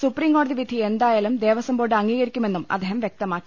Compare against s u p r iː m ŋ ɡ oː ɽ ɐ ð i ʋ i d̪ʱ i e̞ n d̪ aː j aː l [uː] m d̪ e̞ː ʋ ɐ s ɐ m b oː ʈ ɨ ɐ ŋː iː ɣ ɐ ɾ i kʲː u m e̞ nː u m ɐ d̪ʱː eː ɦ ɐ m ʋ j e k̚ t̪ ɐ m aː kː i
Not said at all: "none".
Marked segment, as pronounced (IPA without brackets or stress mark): u